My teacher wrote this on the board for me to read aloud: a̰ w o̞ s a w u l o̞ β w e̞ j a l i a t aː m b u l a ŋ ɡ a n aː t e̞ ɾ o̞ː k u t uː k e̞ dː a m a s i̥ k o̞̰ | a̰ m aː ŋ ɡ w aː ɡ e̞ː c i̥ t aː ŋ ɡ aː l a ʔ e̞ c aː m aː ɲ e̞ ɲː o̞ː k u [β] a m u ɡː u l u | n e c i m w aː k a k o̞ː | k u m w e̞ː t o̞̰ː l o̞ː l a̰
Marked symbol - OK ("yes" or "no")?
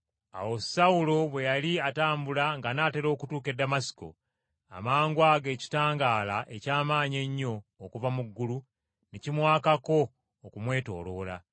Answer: no